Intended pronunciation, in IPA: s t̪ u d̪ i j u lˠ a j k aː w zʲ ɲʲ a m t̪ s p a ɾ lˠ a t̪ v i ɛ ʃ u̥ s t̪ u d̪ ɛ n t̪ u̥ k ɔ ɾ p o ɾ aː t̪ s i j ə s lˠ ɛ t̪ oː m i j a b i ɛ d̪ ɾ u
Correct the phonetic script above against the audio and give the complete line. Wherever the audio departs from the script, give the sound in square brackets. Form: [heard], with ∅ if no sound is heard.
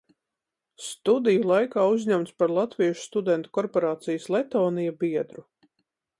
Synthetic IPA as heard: s t̪ u d̪ i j u lˠ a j k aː [u] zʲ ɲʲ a m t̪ s p a ɾ lˠ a t̪ v i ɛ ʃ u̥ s t̪ u d̪ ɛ n t̪ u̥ k ɔ ɾ p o ɾ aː t̪ s i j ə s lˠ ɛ t̪ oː [n] i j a b i ɛ d̪ ɾ u